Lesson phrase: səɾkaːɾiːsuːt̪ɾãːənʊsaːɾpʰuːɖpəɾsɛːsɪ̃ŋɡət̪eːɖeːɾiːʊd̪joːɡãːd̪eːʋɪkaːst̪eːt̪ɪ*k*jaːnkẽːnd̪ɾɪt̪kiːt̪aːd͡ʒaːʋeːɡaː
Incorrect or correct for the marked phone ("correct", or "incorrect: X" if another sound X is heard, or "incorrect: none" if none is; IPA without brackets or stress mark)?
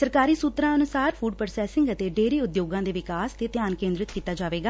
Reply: incorrect: none